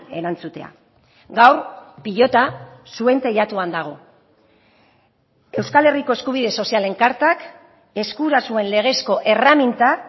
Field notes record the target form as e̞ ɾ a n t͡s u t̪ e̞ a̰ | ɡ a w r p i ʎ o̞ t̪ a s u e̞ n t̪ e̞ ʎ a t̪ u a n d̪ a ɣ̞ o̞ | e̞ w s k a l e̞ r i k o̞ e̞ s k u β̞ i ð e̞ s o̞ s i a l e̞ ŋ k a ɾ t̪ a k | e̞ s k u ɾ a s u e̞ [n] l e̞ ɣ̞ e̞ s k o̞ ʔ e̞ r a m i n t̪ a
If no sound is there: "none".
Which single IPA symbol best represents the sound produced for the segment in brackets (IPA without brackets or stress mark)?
n